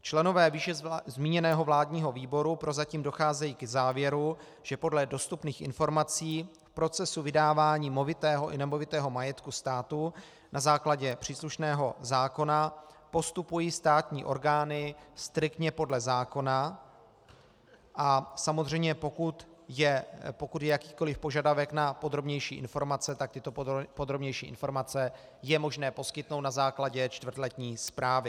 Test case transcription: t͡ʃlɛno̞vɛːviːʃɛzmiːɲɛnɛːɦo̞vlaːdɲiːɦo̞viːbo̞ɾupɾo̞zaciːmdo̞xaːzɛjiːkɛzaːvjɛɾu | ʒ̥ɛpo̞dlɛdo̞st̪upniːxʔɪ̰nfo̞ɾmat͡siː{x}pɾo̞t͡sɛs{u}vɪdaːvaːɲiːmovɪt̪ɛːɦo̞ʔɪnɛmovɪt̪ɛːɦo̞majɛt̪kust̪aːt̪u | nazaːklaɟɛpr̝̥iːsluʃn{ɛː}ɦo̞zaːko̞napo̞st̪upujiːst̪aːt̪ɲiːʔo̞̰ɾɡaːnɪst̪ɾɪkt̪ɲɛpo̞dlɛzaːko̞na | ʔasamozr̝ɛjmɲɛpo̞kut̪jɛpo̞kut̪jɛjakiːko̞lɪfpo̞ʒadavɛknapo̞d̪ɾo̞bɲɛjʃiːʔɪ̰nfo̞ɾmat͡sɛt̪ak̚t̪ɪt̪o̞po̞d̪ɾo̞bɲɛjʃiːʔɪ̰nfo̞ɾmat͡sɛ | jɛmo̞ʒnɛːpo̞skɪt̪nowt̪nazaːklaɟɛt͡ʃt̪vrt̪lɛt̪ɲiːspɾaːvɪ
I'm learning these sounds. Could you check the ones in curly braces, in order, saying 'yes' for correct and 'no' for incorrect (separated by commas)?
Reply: no, yes, yes